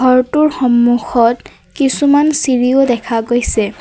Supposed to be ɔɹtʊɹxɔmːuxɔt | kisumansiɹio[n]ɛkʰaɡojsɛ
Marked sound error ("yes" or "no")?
yes